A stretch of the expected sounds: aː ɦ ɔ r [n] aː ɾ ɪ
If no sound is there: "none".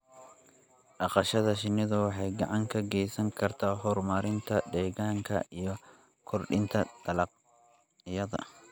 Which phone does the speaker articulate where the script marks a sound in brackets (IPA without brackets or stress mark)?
m